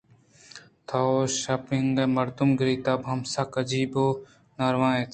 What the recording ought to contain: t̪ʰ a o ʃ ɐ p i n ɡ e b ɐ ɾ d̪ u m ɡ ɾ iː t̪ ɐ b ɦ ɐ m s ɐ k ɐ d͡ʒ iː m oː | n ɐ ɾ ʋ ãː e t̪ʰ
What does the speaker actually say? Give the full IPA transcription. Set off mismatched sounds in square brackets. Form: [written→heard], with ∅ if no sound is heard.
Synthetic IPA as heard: t̪ʰ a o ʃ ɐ p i [n→ŋ] ɡ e [b→m] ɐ ɾ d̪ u m ɡ ɾ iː t̪ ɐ b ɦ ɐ m s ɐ k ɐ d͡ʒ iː [m→b] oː | n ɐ ɾ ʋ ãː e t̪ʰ